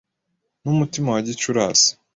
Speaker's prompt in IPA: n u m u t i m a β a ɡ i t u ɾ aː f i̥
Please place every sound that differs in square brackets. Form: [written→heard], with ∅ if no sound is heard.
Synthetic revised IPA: n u m u t i m a [β→w] a [ɡ→ɟ] i [t→t͡ʃ] u ɾ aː [f→s] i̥